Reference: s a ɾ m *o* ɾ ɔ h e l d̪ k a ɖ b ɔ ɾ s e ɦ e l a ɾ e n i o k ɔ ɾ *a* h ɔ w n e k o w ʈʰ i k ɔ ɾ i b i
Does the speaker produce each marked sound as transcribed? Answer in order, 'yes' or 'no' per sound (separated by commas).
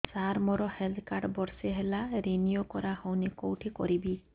no, yes